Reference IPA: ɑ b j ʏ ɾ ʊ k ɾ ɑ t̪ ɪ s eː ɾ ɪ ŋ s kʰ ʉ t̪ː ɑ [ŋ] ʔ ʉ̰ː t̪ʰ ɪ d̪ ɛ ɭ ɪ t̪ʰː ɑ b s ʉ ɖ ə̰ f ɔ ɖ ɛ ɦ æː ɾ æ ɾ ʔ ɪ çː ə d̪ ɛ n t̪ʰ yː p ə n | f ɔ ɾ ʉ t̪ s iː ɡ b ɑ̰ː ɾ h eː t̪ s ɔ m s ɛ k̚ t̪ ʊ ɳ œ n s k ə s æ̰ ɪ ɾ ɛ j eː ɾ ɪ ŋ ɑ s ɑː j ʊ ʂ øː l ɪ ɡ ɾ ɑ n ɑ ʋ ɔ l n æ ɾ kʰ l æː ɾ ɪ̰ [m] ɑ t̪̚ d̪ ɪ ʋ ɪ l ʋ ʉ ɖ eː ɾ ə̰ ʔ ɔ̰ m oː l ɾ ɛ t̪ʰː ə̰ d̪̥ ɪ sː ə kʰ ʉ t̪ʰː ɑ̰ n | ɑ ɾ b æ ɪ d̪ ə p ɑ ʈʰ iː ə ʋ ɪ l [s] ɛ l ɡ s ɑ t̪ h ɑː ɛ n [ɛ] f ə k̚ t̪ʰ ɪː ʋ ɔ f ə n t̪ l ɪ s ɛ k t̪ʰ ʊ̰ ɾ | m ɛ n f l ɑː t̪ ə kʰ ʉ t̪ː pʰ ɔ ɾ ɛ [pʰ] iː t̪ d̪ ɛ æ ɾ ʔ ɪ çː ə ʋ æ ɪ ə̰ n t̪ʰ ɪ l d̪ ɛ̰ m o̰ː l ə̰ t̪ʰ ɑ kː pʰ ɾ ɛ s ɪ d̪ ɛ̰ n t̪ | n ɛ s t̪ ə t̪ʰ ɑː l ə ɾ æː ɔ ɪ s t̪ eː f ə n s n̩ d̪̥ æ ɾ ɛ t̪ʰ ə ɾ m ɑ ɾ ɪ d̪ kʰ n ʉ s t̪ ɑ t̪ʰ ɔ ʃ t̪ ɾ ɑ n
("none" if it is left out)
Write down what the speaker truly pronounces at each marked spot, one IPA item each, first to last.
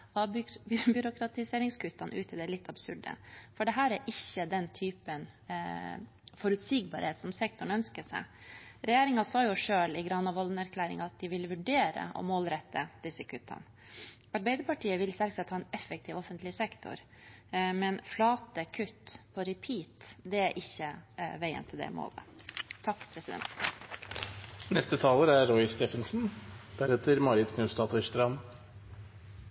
n, ŋ, s, ɛ, pʰ

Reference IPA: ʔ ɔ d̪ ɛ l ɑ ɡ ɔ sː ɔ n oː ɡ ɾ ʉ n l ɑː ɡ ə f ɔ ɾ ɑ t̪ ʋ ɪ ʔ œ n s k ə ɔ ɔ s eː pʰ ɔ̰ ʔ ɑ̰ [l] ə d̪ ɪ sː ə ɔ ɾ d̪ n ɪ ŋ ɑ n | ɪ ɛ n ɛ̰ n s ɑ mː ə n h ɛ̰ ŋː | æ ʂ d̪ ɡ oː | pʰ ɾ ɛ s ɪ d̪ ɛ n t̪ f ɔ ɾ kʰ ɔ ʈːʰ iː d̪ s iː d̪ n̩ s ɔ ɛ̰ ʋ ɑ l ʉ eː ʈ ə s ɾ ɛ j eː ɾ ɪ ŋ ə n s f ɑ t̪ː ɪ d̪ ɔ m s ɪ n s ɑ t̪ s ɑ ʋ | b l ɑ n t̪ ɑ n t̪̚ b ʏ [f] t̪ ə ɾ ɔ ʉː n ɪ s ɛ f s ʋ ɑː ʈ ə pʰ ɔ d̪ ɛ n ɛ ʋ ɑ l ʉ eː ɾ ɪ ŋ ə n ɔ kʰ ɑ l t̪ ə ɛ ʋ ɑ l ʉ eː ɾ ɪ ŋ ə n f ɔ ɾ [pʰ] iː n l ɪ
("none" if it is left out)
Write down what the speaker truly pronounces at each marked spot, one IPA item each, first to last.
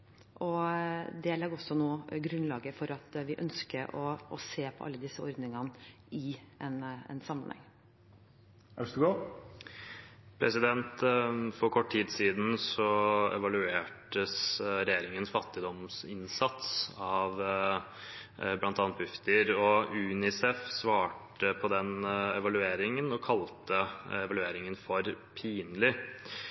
lː, f, pʰ

